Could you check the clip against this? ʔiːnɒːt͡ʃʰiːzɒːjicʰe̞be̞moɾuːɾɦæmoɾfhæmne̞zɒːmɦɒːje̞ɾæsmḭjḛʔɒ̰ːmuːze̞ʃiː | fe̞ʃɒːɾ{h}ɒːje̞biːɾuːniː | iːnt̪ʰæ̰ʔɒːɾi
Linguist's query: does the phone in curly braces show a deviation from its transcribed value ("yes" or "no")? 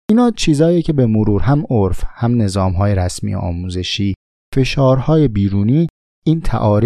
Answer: no